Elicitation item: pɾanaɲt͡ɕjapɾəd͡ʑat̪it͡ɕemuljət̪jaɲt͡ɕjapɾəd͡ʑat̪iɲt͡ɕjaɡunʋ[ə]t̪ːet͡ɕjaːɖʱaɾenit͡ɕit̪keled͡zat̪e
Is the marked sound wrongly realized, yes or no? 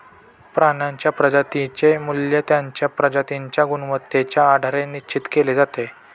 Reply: no